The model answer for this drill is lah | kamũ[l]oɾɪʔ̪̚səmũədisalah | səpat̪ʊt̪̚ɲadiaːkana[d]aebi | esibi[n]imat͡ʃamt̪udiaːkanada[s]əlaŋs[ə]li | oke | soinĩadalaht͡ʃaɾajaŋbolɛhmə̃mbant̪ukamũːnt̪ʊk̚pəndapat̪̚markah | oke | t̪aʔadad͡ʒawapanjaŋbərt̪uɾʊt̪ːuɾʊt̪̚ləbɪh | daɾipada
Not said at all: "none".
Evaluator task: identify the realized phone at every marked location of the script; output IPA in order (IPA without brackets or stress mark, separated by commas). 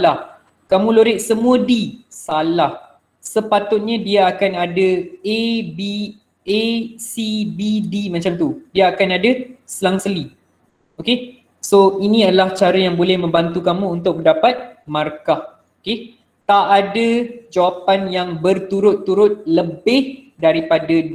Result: l, d, d, s, ə